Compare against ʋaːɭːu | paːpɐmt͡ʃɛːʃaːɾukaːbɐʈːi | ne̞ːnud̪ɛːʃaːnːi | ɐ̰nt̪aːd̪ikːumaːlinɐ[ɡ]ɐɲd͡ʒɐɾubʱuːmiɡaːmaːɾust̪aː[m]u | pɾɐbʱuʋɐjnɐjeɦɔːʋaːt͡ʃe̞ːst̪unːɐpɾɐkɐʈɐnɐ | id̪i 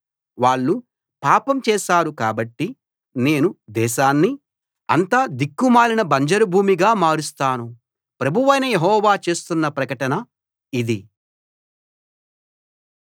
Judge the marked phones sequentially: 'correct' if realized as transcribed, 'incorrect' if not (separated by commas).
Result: incorrect, incorrect